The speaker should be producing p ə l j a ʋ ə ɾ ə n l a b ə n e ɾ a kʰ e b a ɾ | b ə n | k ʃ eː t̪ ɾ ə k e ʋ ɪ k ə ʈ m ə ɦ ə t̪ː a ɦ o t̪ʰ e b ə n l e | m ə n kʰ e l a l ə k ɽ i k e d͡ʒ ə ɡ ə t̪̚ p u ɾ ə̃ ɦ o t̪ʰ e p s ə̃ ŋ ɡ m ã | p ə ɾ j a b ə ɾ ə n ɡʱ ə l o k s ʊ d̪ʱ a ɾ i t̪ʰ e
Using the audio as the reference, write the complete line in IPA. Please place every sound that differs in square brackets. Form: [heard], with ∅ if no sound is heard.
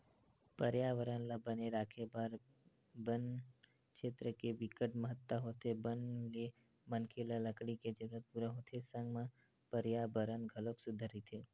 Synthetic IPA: p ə [ɾ] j a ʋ ə ɾ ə n l a b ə n e ɾ a kʰ e b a ɾ | b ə n | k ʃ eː t̪ ɾ ə k e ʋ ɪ k ə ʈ m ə ɦ ə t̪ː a ɦ o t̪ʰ e b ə n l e | m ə n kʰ e l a l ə k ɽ i k e d͡ʒ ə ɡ ə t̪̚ p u ɾ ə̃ ɦ o t̪ʰ e [∅] s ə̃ ŋ ɡ m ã | p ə ɾ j a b ə ɾ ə n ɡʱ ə l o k s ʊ d̪ʱ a ɾ i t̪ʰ e